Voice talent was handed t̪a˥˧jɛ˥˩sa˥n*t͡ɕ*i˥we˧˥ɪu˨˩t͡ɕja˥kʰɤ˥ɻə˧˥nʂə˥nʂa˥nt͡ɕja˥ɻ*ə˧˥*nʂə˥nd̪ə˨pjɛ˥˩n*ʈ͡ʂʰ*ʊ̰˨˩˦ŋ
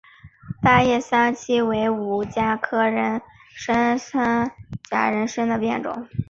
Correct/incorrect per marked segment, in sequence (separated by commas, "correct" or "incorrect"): incorrect, correct, incorrect